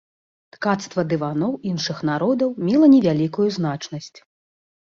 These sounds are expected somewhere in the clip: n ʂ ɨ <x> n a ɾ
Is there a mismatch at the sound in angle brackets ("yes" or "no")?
no